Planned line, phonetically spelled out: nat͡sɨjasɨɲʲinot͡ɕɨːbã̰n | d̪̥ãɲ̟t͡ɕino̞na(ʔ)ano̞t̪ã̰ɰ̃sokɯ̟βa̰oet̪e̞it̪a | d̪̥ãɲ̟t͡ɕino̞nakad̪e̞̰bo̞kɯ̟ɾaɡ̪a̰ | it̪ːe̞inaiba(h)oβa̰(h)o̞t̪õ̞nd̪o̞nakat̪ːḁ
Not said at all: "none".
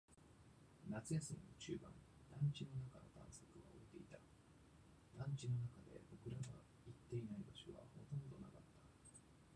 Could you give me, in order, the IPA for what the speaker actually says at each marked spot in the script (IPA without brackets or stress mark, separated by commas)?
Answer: k, ɕ, h